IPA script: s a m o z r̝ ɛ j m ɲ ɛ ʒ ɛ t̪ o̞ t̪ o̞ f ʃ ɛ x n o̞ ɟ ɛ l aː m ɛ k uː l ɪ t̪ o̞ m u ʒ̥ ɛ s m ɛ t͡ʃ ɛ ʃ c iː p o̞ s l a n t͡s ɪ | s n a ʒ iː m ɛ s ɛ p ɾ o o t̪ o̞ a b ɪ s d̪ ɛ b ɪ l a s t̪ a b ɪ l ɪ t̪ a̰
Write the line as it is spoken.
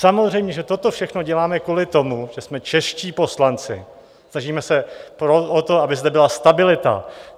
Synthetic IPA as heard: s a m o z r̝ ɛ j m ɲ ɛ ʒ ɛ t̪ o̞ t̪ o̞ f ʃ ɛ x n o̞ ɟ ɛ l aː m ɛ k uː l ɪ t̪ o̞ m u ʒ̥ ɛ s m ɛ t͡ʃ ɛ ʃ c iː p o̞ s l a n t͡s ɪ | s n a ʒ iː m ɛ s ɛ p ɾ o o t̪ o̞ a b ɪ z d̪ ɛ b ɪ l a s t̪ a b ɪ l ɪ t̪ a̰